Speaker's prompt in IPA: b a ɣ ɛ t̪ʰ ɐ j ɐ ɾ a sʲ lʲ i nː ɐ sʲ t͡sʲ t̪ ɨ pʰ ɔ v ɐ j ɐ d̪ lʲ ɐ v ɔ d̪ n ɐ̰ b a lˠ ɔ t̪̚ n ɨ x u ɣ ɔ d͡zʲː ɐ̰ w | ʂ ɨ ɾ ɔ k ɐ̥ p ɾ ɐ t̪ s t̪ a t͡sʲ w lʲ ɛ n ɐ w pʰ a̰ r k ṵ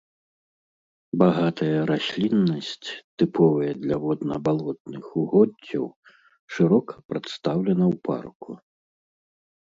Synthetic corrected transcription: b a ɣ a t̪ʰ ɐ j ɐ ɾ a sʲ lʲ i nː ɐ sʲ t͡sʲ t̪ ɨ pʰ ɔ v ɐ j ɐ d̪ lʲ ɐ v ɔ d̪ n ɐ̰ b a lˠ ɔ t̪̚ n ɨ x u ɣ ɔ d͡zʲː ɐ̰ w | ʂ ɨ ɾ ɔ k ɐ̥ p ɾ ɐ t̪ s t̪ a w lʲ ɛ n ɐ w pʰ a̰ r k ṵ